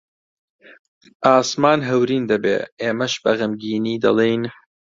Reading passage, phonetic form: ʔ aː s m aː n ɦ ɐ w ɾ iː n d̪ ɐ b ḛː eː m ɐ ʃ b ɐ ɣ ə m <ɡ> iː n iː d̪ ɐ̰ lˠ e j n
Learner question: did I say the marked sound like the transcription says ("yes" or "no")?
yes